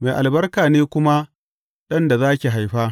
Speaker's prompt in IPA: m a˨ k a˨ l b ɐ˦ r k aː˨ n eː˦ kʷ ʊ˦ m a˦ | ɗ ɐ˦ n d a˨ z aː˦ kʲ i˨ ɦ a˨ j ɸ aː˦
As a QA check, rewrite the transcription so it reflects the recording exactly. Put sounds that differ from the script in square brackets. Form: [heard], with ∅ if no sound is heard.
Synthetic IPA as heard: m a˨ [ʔ] a˨ l b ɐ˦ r k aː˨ n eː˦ kʷ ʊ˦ m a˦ | ɗ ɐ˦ n d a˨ z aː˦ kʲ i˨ ɦ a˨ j ɸ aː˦